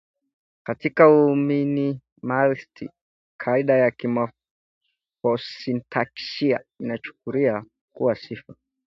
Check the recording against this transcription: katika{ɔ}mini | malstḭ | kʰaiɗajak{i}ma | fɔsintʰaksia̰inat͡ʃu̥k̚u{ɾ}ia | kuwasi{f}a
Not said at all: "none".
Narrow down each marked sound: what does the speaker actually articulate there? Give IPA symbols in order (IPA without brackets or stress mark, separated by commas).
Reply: u, i, ɾ, f